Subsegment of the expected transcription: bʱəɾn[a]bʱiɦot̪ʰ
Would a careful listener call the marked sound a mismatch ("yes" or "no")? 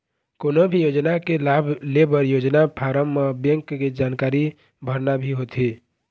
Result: no